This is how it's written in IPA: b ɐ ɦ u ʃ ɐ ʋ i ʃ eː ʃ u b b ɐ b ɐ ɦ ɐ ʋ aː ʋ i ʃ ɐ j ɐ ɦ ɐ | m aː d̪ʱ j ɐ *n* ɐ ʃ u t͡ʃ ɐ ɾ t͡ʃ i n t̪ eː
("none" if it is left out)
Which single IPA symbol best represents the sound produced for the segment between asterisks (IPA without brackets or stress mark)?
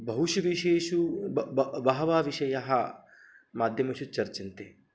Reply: m